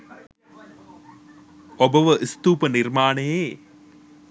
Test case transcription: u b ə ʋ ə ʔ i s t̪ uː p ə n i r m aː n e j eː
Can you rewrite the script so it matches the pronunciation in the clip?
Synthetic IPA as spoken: o b ə ʋ ə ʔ i s t̪ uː p ə n i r m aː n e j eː